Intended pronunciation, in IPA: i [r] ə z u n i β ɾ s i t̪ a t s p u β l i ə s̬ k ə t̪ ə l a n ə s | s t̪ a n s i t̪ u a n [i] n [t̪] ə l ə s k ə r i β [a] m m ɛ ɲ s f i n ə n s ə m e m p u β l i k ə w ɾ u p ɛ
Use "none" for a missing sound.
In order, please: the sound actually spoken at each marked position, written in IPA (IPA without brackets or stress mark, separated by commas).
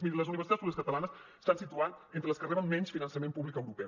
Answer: l, e, t̪, ə